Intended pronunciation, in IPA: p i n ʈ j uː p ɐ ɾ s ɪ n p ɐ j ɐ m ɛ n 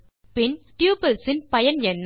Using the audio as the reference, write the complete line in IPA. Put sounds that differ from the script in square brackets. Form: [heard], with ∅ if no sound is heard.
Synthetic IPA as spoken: p [ɪ] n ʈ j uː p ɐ [l] s ɪ n p ɐ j ɐ [n] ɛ [nː]

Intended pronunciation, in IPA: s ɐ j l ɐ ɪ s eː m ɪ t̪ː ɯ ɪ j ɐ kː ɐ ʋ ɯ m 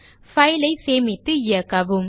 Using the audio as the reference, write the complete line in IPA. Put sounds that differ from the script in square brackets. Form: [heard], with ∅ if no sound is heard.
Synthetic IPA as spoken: [f] ɐ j l ɐ ɪ s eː m ɪ t̪ː ɯ ɪ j ɐ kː ɐ ʋ ɯ m

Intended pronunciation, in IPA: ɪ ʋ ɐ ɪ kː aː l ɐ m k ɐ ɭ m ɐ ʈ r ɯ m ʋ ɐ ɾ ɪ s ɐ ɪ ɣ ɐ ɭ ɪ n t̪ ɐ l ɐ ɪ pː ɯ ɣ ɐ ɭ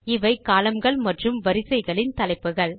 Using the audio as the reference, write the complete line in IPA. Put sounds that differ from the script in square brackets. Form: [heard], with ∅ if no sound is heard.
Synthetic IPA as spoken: ɪ ʋ ɐ ɪ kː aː l ɐ m [ɡ] ɐ ɭ m ɐ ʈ r ɯ m ʋ ɐ ɾ ɪ s ɐ ɪ ɣ ɐ ɭ ɪ n t̪ ɐ l ɐ ɪ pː ɯ ɣ ɐ ɭ

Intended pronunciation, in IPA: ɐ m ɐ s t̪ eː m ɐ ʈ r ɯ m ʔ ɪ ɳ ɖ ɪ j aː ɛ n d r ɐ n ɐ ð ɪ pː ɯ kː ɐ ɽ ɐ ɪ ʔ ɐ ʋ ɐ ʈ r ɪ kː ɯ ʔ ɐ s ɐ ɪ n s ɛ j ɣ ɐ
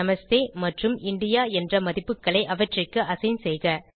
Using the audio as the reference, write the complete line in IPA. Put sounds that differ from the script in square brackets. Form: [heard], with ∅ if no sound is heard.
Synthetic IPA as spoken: ɐ m ɐ s t̪ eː m ɐ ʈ r ɯ m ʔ ɪ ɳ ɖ ɪ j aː ɛ n d r ɐ [m] ɐ ð ɪ pː ɯ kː ɐ [ɭ] ɐ ɪ ʔ ɐ ʋ ɐ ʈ r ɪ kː ɯ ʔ ɐ s ɐ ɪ n s ɛ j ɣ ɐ

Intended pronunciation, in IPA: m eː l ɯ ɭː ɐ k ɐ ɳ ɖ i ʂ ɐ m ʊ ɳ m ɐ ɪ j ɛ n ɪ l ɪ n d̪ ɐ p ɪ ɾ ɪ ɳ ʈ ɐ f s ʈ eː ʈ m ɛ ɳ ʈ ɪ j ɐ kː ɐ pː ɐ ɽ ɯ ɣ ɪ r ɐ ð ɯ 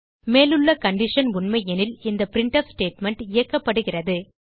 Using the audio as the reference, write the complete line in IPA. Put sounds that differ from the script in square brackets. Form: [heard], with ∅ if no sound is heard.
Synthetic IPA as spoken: m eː l ɯ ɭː ɐ k ɐ ɳ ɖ [ɪ] ʂ ɐ [n] ʊ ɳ m ɐ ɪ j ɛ n ɪ l ɪ n d̪ ɐ p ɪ ɾ ɪ ɳ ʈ ɐ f s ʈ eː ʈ m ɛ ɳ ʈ ɪ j ɐ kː ɐ pː ɐ ɽ ɯ ɣ ɪ r ɐ ð ɯ

